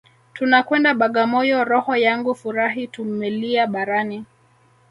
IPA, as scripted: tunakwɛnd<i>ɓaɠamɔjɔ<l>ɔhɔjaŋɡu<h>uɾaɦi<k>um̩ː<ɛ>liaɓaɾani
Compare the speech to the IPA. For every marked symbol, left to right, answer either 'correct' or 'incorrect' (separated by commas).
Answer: incorrect, incorrect, incorrect, incorrect, correct